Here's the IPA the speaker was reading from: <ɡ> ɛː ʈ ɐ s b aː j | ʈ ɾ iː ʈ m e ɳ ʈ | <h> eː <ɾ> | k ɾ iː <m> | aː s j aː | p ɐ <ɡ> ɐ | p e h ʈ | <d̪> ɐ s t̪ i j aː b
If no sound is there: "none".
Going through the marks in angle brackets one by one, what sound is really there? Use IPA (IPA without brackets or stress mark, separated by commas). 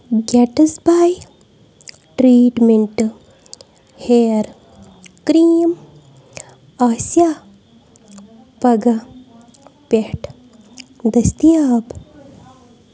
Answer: ɡ, h, ɾ, m, ɡ, d̪